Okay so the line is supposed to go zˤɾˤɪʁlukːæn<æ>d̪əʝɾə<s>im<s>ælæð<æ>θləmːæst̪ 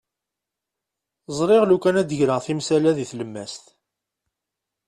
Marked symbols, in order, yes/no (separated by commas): yes, no, yes, no